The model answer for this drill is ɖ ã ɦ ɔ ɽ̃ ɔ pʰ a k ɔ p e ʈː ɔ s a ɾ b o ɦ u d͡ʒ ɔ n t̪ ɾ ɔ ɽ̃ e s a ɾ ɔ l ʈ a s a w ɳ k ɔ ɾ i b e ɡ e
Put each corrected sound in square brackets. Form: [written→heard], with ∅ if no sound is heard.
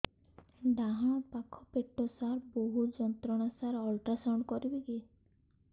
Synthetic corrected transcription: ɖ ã ɦ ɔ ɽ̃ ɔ [pʰ→p] a [k→kʰ] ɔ p e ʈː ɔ s a ɾ b o ɦ u d͡ʒ ɔ n t̪ ɾ ɔ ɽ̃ [e→a] s a ɾ ɔ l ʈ a s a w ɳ k ɔ ɾ i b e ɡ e